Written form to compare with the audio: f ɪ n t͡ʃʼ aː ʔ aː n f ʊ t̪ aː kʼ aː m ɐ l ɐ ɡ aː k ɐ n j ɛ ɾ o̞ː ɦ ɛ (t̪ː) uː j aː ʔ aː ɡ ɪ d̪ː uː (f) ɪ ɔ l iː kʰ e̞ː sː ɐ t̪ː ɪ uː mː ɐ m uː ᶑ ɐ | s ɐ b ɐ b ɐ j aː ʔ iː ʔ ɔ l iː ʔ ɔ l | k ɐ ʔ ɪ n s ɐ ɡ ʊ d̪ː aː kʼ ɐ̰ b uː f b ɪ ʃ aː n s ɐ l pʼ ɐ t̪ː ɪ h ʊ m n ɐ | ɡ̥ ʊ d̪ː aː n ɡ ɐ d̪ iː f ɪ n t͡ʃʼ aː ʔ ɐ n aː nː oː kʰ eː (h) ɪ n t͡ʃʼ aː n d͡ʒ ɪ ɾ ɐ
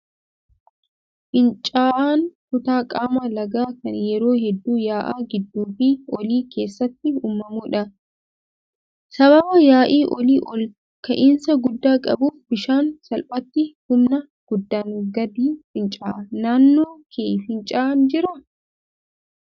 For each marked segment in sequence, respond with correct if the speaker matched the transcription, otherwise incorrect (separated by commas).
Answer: incorrect, correct, incorrect